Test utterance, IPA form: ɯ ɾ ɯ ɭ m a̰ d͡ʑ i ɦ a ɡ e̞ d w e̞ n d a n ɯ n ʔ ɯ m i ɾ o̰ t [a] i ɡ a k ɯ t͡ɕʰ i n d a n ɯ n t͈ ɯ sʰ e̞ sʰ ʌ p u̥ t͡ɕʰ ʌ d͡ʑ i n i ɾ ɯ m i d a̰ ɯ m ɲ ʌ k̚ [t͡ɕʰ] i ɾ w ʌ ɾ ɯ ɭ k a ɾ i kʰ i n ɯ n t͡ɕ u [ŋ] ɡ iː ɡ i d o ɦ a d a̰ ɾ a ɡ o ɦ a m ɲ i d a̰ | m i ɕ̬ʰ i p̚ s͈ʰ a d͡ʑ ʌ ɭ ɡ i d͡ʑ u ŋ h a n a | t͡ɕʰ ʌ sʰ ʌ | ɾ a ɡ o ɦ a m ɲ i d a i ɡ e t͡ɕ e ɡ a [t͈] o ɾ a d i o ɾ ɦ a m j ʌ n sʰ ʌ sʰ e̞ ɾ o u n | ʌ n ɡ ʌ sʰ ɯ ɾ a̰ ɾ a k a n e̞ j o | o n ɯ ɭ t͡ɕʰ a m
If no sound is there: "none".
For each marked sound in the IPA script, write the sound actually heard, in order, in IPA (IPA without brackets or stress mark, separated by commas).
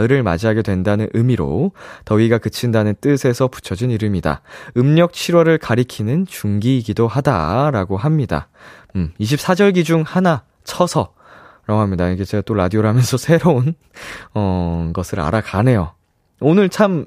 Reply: ʌ, t͡ɕʰ, ŋ, t͈